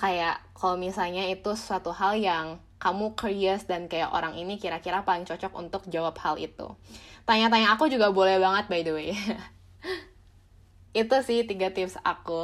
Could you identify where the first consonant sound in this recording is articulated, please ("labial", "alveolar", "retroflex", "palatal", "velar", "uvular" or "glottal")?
velar